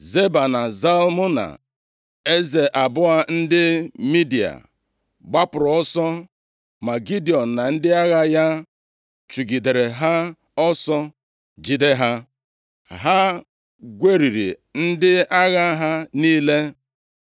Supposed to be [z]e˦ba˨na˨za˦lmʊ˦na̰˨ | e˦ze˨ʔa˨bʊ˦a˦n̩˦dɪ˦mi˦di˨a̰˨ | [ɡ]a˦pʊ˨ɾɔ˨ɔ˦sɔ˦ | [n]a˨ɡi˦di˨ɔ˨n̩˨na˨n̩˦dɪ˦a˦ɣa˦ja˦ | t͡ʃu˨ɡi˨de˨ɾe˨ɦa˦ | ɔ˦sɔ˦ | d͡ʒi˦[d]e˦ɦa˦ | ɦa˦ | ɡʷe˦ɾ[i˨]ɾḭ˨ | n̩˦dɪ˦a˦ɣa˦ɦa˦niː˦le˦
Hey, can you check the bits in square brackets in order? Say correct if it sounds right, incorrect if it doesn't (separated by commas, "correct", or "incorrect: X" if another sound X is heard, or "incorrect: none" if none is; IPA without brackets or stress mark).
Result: correct, incorrect: ɡ͡b, incorrect: m, correct, correct